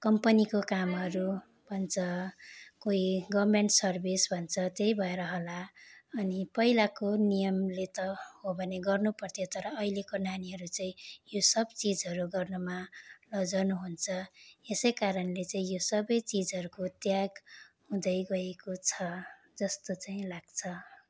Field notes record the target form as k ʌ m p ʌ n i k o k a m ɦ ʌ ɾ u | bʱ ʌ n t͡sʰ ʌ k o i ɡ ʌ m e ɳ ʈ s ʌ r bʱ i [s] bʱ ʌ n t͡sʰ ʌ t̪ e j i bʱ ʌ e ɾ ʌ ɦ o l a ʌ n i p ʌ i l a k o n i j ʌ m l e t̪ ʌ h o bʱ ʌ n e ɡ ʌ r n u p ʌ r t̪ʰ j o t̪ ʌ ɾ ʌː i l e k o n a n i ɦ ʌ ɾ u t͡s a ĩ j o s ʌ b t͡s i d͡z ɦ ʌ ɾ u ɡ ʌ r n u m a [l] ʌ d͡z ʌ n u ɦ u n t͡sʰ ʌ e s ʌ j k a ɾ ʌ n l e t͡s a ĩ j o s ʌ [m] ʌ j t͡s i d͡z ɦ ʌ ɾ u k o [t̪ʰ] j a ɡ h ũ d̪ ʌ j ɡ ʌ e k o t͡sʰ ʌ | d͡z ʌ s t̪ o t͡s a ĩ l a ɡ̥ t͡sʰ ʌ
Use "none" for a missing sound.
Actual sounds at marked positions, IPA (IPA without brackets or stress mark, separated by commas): s, l, b, t̪